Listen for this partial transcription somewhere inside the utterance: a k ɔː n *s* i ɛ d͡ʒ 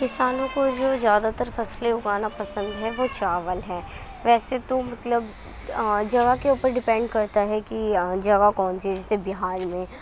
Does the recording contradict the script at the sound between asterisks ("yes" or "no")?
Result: no